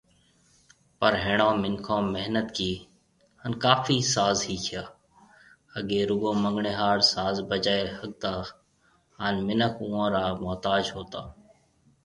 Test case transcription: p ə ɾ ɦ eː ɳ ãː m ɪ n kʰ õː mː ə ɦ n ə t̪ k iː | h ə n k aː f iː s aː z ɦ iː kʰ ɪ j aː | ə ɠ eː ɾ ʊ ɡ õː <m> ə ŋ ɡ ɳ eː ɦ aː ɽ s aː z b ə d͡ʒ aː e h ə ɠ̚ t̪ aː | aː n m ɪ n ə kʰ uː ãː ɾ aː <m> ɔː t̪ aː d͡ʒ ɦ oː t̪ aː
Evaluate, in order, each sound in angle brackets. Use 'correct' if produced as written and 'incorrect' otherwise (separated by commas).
correct, correct